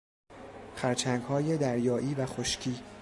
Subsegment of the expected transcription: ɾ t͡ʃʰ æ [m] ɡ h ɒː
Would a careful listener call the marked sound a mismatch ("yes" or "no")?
yes